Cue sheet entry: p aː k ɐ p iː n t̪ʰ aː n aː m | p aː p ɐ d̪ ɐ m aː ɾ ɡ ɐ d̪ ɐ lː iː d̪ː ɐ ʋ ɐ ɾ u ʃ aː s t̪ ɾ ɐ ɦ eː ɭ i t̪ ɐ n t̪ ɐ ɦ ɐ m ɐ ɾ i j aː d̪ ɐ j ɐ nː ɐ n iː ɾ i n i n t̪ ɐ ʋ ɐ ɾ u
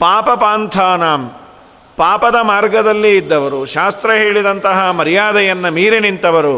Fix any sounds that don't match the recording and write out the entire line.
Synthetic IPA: p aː p ɐ p aː n t̪ʰ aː n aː m | p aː p ɐ d̪ ɐ m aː ɾ ɡ ɐ d̪ ɐ lː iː d̪ː ɐ ʋ ɐ ɾ u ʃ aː s t̪ ɾ ɐ ɦ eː ɭ i d̪ ɐ n t̪ ɐ ɦ ɐ m ɐ ɾ i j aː d̪ ɐ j ɐ nː ɐ m iː ɾ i n i n t̪ ɐ ʋ ɐ ɾ u